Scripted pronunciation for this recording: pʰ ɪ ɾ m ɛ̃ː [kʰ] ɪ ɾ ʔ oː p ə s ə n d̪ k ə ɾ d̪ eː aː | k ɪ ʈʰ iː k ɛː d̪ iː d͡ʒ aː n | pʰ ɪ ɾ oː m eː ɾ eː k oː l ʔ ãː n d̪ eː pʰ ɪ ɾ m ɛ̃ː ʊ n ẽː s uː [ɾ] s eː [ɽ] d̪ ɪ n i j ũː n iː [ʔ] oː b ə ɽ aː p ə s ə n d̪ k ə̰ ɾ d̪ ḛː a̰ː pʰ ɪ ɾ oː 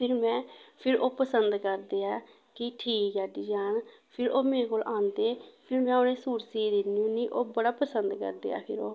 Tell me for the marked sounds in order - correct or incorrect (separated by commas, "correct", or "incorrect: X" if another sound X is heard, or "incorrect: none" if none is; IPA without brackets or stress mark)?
incorrect: pʰ, correct, incorrect: none, correct